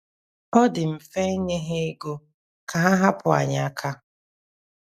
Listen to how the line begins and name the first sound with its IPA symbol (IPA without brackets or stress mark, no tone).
ɔ